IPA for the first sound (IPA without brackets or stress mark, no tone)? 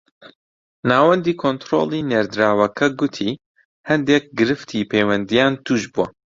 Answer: n